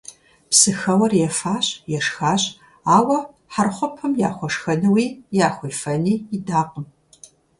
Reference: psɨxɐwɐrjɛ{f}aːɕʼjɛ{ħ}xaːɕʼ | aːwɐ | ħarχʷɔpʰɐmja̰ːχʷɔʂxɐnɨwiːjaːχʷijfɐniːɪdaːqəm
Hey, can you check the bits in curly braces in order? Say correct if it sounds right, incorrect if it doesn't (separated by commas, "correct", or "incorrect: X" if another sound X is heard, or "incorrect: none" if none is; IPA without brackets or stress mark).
correct, incorrect: ʂ